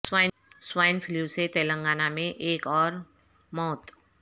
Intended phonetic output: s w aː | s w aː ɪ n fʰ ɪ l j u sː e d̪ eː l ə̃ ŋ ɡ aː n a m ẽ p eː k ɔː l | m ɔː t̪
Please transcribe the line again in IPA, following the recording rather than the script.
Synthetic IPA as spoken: s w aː | s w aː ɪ n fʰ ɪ l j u s e t̪ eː l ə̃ ŋ ɡ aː n a m ẽ ʔ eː k ɔː ɾ | m ɔː t̪